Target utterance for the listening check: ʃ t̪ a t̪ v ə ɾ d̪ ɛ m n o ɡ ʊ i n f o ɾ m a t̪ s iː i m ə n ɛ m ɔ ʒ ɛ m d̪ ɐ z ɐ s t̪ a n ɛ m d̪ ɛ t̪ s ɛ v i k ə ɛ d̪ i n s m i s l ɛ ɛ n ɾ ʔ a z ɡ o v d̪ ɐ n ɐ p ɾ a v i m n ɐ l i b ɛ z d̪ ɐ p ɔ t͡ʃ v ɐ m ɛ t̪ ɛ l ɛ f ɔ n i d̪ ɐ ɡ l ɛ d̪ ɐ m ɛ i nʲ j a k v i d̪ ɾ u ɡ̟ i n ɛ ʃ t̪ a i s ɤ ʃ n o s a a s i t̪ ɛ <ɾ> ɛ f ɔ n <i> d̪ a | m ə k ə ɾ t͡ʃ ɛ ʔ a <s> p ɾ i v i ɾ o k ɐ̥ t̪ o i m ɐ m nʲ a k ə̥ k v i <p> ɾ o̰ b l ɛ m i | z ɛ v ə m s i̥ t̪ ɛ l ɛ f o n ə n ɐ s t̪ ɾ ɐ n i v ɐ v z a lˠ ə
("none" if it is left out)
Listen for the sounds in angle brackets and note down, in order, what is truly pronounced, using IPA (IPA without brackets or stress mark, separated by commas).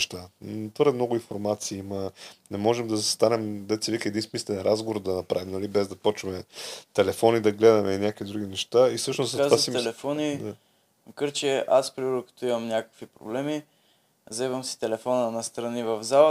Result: l, i, s, p